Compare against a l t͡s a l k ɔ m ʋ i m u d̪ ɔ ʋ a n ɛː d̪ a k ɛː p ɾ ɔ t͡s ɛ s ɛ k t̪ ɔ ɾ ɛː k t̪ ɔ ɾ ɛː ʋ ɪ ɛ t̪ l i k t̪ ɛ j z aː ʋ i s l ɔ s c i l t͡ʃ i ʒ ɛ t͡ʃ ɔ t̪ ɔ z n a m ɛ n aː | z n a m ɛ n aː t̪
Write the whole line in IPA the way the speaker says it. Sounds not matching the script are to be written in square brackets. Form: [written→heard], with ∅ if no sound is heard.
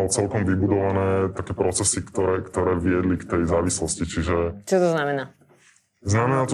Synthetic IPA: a l t͡s [a→ɛ] l k ɔ m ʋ i [m→b] u d̪ ɔ ʋ a n ɛː [d̪→t̪] a k ɛː p ɾ ɔ t͡s ɛ s [ɛ→i] k t̪ ɔ ɾ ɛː k t̪ ɔ ɾ ɛː ʋ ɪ ɛ [t̪→d̪] l i k t̪ ɛ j z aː ʋ i s l ɔ s c i [l→∅] t͡ʃ i ʒ ɛ t͡ʃ ɔ t̪ ɔ z n a m ɛ n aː | z n a m ɛ n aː t̪